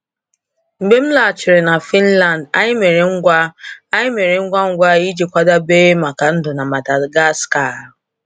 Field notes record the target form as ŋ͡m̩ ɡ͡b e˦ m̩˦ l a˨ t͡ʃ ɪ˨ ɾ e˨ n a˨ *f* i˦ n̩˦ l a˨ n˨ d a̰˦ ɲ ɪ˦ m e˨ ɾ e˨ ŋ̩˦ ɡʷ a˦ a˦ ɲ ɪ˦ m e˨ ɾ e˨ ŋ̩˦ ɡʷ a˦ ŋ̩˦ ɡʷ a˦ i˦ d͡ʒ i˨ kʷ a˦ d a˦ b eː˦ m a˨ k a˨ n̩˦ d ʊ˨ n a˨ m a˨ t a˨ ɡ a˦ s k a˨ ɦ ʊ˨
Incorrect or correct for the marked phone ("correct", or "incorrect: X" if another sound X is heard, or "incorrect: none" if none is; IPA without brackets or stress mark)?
correct